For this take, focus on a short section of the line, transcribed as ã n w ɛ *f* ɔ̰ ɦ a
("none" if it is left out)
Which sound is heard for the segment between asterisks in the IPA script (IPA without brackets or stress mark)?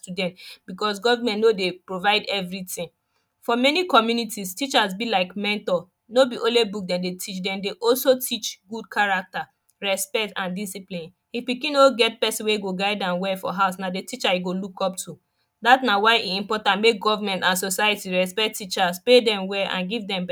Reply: f